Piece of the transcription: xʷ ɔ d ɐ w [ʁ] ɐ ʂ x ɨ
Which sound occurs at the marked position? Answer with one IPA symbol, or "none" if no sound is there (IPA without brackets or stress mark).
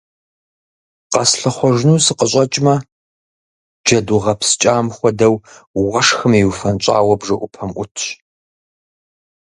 ʁ